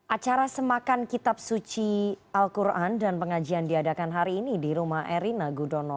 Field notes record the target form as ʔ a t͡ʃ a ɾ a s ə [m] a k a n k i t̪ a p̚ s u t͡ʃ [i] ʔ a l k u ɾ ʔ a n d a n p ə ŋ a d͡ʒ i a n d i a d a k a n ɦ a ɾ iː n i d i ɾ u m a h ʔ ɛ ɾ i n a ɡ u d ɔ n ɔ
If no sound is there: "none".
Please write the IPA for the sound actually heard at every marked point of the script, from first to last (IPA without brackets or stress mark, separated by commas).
m, i